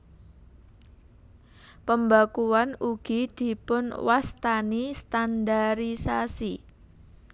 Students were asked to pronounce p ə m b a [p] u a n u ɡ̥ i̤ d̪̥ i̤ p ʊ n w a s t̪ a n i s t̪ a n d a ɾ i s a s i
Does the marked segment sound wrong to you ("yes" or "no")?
yes